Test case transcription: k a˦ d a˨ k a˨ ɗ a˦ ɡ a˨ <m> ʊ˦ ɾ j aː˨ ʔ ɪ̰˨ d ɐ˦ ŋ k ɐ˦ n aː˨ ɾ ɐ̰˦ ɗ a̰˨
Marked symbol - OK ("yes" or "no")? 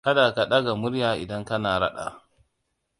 yes